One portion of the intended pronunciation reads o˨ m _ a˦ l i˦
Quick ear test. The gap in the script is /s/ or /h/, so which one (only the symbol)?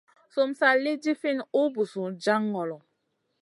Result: s